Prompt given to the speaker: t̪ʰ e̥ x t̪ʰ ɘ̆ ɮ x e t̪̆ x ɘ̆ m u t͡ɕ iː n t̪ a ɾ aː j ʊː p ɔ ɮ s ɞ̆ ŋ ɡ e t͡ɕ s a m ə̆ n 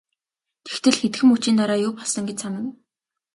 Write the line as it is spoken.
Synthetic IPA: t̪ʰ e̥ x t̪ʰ ɘ̆ ɮ x e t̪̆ x ɘ̆ m u t͡ɕ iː n t̪ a ɾ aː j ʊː p ɔ ɮ s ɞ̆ ŋ ɡ e t͡ɕ s a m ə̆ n